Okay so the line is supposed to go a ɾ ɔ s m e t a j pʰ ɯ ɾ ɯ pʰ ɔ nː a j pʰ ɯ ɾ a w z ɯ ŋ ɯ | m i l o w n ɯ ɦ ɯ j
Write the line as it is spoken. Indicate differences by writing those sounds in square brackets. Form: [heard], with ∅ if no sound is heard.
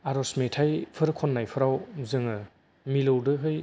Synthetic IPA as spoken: a ɾ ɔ s m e [tʰ] a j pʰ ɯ ɾ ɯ [kʰ] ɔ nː a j pʰ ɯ ɾ a w z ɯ ŋ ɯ | m i l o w [d] ɯ ɦ ɯ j